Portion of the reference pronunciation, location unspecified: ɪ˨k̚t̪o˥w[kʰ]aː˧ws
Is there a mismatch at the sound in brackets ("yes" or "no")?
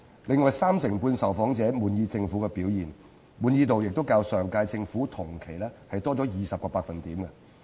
yes